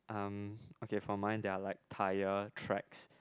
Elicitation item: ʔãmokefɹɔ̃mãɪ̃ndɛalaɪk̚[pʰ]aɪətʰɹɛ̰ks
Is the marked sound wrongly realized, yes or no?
yes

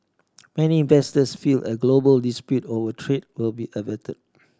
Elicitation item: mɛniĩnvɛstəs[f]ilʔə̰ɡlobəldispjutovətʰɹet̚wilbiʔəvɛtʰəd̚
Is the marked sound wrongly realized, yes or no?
no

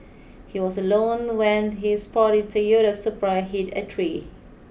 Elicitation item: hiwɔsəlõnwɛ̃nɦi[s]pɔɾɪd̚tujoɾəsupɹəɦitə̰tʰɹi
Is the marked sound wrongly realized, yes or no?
no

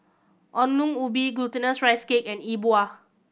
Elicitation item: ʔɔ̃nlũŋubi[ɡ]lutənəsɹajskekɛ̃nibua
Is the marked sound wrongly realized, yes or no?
no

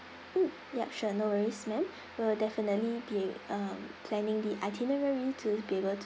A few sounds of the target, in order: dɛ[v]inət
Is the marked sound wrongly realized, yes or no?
yes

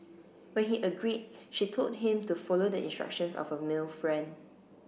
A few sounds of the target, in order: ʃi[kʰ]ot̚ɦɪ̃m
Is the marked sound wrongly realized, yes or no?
yes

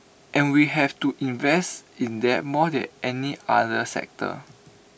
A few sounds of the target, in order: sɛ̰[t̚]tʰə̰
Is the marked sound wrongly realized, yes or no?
yes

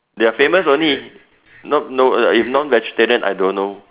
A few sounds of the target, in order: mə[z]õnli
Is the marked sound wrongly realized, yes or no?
yes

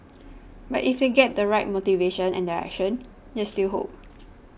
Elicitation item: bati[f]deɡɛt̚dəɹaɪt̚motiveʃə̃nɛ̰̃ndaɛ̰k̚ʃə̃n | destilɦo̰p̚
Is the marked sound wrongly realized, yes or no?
no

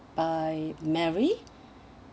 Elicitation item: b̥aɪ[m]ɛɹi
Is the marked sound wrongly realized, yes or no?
no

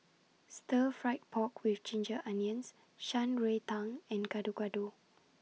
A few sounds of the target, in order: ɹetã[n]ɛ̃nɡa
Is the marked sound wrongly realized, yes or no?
yes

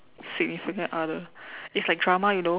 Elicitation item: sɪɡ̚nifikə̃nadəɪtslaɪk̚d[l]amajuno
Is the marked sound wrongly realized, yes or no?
yes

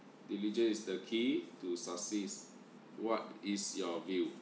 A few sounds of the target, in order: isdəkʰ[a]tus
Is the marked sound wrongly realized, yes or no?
yes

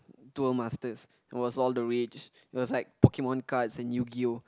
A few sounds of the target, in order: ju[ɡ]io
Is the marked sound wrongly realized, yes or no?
no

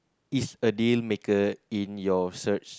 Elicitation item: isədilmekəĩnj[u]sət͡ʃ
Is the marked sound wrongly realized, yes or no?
yes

